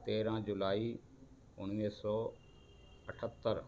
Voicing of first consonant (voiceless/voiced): voiceless